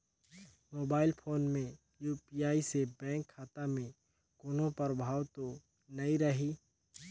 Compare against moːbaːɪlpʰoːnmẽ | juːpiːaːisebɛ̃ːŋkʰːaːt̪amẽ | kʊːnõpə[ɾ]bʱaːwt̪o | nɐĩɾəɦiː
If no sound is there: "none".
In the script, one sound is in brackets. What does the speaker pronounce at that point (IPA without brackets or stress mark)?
ɾ